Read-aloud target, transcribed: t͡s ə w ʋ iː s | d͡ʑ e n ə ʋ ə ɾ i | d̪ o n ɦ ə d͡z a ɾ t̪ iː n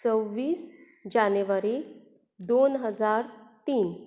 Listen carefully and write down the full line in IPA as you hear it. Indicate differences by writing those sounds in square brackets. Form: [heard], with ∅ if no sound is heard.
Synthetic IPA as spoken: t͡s ə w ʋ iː s | d͡ʑ [a] n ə ʋ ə ɾ i | d̪ o n ɦ ə d͡z a ɾ t̪ iː n